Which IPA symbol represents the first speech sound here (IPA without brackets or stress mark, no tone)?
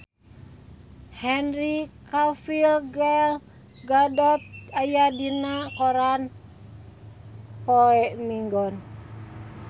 h